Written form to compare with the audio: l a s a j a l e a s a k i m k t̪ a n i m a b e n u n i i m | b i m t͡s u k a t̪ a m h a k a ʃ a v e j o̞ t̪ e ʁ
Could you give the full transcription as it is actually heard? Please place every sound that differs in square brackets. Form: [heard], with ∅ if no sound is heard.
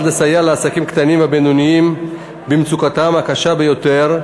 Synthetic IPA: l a s a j a l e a s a k i m k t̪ a n i m a b e n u n i i m | b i m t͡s u k a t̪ a m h a k a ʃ a [b] e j o̞ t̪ e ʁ